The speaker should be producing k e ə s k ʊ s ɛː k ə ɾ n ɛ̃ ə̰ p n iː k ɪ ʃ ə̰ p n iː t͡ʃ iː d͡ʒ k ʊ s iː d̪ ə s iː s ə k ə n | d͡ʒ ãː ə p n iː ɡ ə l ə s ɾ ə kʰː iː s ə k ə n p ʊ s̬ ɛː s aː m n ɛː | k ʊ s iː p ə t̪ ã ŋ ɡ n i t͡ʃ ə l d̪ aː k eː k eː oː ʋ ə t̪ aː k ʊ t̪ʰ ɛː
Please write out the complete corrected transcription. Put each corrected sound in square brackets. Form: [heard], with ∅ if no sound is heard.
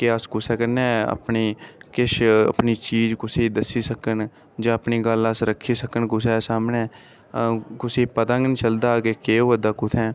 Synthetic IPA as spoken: k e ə s k ʊ s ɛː k ə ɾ n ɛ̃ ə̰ p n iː k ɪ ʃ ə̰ p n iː t͡ʃ iː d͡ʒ k ʊ s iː d̪ ə s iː s ə k ə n | d͡ʒ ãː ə p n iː ɡ ə l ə s ɾ ə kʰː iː s ə k ə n [k] ʊ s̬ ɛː s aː m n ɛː | k ʊ s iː p ə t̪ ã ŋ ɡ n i t͡ʃ ə l d̪ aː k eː k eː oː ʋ ə [d̪] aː k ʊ t̪ʰ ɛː